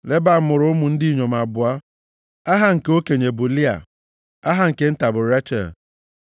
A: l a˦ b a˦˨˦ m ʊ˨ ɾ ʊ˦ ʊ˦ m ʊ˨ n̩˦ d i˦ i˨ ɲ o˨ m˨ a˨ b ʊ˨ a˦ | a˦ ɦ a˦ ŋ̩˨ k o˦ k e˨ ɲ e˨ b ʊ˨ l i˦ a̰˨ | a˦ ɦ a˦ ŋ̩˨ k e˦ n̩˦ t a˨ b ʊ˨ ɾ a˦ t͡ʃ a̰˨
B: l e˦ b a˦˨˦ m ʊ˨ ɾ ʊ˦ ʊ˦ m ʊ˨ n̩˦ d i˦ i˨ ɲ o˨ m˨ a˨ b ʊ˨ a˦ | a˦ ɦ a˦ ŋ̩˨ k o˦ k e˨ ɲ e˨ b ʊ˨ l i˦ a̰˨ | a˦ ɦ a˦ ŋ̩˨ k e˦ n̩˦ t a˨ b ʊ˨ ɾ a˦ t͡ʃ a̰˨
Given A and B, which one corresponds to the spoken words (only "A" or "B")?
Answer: B